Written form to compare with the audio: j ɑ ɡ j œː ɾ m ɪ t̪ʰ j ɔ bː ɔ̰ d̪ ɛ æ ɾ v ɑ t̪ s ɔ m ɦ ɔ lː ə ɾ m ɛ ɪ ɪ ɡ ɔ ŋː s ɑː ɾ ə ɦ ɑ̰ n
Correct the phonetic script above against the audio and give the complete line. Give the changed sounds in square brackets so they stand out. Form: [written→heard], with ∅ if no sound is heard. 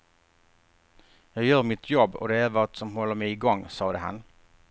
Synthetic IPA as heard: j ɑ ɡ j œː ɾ m ɪ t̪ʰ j ɔ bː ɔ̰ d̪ ɛ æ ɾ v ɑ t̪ s ɔ m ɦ ɔ lː ə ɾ m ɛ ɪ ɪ ɡ ɔ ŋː s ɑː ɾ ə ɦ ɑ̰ n